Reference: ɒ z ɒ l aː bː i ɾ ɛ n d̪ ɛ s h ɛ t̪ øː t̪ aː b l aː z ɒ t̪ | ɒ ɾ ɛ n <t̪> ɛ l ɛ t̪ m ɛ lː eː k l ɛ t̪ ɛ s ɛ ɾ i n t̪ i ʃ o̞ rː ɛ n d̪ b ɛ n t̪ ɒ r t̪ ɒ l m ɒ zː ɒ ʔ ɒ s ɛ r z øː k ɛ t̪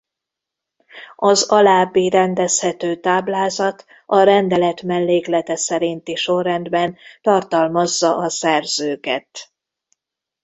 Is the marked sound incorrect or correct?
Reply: incorrect